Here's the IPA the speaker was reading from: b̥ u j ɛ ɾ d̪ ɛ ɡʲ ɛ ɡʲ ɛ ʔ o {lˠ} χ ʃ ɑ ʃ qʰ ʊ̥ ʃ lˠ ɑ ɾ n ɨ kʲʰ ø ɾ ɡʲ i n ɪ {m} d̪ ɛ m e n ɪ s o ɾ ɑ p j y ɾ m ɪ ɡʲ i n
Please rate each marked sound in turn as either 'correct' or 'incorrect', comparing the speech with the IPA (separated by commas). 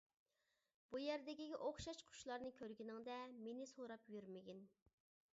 incorrect, incorrect